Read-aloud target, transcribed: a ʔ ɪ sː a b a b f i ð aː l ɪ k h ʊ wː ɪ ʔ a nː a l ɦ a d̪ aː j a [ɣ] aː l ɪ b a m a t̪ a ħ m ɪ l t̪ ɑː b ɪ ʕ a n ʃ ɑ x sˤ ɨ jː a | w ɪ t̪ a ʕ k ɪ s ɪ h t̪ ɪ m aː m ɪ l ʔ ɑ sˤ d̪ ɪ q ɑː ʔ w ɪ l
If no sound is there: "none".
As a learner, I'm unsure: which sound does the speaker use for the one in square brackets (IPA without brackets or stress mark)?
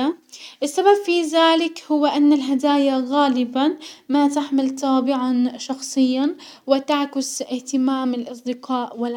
ɣ